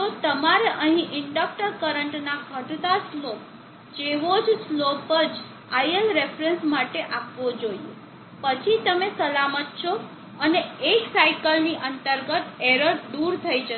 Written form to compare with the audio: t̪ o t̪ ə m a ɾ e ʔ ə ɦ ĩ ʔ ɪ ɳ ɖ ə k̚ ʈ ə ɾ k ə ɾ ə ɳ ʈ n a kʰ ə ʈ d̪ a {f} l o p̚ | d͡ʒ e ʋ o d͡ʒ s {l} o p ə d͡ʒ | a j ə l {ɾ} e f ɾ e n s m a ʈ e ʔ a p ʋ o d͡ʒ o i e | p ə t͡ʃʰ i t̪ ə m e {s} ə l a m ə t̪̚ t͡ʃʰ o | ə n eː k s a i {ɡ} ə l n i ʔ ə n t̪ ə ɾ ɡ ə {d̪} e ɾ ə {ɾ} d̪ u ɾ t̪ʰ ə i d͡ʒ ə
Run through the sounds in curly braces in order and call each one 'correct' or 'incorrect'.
incorrect: s, correct, correct, correct, incorrect: k, incorrect: t̪, correct

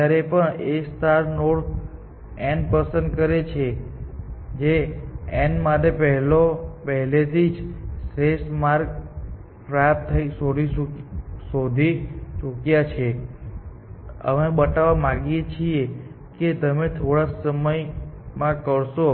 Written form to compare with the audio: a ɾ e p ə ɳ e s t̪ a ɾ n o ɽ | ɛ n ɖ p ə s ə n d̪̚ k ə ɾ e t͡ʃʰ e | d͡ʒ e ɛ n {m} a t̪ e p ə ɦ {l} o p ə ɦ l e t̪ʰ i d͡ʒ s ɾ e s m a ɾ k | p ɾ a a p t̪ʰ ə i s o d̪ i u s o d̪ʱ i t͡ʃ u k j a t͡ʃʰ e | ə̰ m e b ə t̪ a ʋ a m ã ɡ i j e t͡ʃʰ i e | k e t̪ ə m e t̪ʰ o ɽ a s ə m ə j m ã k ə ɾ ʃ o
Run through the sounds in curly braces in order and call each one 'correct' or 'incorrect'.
correct, correct

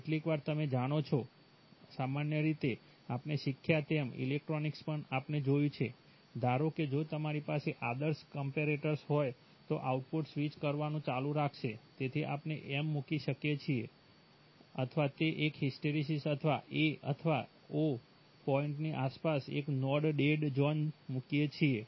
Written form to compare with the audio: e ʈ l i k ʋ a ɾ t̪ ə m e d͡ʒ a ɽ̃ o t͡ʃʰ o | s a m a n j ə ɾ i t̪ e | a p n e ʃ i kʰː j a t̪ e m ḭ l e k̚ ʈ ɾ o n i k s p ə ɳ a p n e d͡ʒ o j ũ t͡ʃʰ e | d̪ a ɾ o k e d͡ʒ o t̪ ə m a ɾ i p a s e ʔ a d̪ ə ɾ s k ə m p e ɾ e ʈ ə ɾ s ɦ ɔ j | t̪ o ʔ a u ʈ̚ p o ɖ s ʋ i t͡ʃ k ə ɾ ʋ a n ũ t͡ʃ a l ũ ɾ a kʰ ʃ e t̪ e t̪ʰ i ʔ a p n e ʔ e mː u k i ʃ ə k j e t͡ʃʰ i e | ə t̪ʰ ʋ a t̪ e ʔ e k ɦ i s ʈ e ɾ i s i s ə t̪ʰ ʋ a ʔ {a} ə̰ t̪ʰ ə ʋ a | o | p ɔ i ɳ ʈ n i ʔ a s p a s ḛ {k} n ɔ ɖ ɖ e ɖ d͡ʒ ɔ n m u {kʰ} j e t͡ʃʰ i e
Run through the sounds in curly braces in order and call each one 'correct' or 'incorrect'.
incorrect: e, correct, incorrect: k

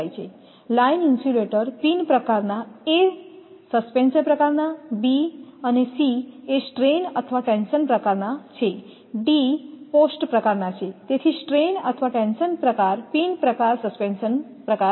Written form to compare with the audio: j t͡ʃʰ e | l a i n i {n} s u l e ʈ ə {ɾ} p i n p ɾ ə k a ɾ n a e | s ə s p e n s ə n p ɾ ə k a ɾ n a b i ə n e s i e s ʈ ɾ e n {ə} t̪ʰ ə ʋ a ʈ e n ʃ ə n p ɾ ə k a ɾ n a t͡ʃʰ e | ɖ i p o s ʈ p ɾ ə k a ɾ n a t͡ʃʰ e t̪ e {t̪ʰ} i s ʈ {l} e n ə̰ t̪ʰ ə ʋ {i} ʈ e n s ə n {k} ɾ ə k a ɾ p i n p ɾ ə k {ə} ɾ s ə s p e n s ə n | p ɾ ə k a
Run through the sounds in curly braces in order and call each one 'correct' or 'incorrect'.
correct, correct, correct, correct, incorrect: ɾ, incorrect: a, incorrect: p, incorrect: a

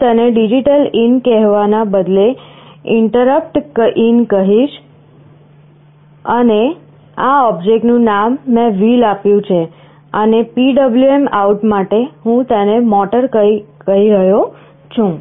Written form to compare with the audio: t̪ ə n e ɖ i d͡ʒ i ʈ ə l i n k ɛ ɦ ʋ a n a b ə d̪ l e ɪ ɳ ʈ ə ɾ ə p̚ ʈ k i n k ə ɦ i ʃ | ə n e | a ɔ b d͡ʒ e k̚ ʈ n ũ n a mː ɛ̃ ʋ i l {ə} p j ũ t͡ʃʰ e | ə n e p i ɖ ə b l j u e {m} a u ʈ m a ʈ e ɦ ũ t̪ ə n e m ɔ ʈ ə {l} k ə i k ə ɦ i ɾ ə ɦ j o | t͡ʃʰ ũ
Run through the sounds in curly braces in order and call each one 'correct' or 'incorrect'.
incorrect: a, correct, incorrect: ɾ

